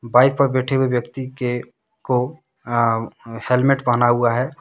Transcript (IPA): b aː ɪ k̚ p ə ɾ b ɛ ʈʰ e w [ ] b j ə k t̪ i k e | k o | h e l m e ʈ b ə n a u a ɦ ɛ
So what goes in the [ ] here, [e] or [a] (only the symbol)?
e